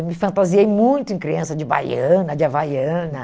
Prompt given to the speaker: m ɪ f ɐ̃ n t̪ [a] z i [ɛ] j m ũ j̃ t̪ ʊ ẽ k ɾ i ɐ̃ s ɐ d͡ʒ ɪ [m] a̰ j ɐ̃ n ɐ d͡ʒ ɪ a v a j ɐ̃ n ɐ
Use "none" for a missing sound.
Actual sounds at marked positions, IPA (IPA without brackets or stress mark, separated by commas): a, e, b